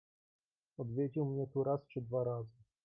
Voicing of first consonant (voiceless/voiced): voiced